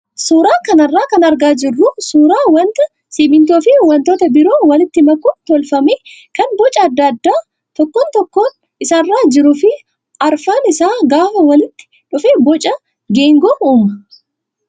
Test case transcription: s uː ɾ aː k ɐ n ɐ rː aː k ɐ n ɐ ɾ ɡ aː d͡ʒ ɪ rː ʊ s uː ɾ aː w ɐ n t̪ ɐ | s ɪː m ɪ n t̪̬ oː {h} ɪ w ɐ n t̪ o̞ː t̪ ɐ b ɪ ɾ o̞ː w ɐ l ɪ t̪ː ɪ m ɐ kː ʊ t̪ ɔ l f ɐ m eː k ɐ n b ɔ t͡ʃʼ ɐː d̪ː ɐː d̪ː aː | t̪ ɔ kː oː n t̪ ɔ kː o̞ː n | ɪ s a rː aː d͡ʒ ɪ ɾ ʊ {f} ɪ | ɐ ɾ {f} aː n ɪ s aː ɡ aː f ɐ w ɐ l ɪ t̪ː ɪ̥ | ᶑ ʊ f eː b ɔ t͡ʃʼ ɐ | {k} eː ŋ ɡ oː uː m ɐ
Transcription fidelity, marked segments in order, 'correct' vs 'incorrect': incorrect: f, correct, correct, incorrect: ɡ

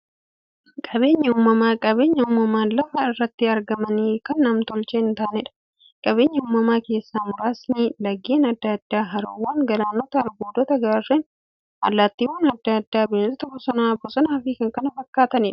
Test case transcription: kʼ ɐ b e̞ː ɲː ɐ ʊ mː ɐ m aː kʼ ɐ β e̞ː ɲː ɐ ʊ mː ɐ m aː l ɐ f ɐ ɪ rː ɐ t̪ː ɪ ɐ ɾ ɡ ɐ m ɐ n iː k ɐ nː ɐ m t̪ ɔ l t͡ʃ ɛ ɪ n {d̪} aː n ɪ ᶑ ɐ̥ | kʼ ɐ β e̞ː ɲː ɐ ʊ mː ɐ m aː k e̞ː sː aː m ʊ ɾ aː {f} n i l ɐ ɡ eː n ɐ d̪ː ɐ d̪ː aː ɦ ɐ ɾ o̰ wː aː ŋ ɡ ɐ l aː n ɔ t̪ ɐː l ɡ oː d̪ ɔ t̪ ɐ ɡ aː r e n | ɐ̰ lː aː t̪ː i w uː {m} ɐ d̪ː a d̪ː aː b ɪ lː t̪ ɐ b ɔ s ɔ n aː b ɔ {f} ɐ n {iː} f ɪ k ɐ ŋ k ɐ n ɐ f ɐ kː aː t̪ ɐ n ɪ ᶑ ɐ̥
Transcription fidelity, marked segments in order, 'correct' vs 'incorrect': incorrect: t̪, incorrect: s, incorrect: n, incorrect: s, incorrect: aː

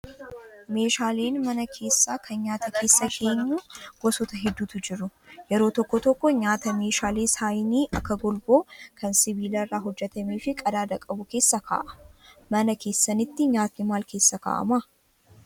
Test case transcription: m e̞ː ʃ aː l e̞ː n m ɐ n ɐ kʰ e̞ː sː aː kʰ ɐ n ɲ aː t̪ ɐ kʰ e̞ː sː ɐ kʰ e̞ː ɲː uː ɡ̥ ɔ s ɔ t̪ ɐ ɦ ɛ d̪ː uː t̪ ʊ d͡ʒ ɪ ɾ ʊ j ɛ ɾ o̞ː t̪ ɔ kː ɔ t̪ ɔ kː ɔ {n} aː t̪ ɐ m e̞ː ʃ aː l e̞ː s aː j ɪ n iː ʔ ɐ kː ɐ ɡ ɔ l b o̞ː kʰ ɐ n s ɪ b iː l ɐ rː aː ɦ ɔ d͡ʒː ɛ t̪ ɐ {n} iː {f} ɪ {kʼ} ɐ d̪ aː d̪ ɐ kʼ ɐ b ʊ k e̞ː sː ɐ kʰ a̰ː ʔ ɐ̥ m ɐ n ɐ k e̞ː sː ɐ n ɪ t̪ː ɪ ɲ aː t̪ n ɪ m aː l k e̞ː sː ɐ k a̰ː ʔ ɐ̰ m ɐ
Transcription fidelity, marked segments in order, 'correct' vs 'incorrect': incorrect: ɲ, incorrect: m, correct, correct

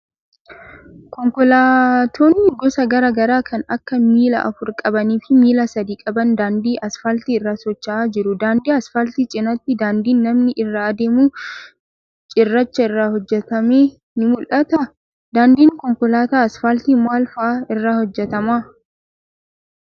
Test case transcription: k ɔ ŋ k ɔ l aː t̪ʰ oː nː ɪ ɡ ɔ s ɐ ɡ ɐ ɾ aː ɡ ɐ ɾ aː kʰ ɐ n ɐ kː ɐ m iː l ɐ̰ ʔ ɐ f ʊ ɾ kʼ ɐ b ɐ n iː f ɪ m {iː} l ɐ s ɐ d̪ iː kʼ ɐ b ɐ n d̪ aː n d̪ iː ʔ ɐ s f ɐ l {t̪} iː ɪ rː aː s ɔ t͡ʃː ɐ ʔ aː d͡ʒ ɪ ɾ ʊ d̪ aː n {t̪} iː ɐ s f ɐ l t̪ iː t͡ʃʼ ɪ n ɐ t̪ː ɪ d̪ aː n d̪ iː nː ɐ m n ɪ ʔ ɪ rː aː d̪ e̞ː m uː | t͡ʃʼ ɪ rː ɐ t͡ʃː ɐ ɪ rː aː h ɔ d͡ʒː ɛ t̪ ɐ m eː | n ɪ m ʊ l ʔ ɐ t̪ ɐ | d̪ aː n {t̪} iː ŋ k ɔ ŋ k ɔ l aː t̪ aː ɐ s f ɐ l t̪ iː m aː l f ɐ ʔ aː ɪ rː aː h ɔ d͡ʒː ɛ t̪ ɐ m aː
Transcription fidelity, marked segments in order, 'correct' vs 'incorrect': correct, correct, incorrect: d̪, incorrect: d̪

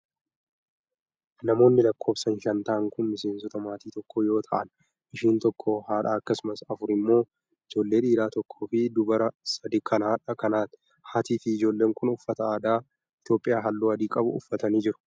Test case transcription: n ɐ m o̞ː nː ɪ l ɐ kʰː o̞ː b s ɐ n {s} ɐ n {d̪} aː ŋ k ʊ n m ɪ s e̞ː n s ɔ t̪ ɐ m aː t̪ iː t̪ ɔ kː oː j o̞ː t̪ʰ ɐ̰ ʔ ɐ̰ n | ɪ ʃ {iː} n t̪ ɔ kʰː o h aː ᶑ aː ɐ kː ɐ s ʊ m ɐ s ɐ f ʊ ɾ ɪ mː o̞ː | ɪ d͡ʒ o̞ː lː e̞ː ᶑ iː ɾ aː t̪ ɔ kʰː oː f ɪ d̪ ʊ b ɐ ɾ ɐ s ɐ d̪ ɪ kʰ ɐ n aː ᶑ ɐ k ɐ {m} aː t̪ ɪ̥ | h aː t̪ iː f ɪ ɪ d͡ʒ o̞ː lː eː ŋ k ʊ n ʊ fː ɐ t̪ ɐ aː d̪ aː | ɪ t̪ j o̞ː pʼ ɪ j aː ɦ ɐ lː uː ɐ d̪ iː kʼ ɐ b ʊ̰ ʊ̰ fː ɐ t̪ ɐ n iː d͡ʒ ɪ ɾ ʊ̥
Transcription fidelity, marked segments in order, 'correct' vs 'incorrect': incorrect: ʃ, incorrect: t̪, correct, incorrect: n

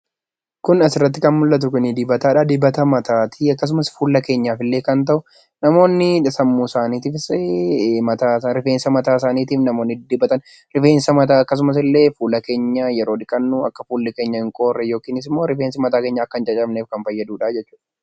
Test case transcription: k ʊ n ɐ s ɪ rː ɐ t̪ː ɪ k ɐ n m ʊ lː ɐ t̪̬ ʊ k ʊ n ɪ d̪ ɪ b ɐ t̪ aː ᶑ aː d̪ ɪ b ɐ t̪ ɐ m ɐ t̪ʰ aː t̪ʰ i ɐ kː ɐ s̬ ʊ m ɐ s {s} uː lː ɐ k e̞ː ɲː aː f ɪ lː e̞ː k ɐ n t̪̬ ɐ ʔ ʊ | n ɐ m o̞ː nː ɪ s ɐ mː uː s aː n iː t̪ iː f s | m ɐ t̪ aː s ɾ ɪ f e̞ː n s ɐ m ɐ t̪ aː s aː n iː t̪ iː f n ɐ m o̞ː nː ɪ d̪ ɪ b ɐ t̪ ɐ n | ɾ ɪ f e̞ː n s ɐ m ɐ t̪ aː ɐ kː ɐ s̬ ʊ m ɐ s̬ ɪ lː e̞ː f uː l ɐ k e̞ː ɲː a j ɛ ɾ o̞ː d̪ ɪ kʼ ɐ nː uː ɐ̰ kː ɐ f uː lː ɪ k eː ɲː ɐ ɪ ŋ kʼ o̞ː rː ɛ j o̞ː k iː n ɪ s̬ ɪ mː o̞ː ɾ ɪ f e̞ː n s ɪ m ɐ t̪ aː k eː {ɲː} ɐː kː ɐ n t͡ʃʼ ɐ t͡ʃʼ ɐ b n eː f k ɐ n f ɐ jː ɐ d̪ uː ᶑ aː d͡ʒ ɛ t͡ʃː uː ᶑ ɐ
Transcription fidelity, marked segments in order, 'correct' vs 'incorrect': incorrect: f, correct

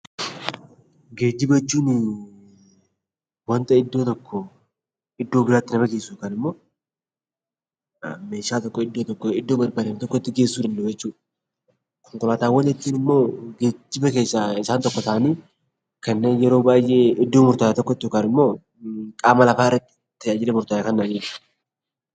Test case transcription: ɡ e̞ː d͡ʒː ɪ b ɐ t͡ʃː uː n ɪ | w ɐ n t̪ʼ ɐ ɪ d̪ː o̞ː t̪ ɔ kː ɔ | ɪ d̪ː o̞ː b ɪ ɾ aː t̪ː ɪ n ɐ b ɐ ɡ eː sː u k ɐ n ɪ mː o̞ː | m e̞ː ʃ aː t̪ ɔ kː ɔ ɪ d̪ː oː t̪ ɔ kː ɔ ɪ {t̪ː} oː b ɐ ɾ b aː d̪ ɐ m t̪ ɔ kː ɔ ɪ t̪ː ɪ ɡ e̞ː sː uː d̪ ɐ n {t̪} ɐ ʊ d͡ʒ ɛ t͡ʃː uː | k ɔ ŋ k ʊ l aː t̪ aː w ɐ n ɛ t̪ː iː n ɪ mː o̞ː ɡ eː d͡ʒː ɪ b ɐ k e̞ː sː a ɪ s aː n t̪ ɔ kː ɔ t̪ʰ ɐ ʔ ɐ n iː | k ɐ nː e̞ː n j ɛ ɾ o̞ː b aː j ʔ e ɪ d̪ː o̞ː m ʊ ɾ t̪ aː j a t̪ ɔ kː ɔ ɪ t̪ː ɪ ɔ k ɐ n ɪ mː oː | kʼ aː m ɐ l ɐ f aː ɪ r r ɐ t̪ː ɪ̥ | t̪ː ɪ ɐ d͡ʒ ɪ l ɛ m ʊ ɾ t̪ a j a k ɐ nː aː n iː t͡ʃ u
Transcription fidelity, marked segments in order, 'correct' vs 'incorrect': incorrect: d̪ː, incorrect: d̪

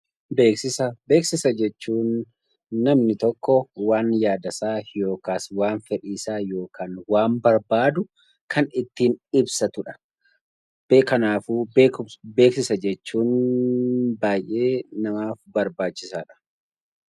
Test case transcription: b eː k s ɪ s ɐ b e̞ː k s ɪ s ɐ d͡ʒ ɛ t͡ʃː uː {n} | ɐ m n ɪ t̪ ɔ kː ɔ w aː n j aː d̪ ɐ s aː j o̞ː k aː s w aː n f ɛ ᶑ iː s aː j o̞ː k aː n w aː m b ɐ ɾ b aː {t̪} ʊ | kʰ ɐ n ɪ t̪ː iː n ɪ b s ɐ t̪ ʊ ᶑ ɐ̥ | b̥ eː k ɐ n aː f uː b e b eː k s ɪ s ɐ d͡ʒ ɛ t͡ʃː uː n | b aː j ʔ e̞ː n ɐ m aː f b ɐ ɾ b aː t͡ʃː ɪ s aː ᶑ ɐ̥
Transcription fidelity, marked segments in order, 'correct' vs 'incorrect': incorrect: nː, incorrect: d̪

